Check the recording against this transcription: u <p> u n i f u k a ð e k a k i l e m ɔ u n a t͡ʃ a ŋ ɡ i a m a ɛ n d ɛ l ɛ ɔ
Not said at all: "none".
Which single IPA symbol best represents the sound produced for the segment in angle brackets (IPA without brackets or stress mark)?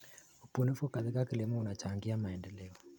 p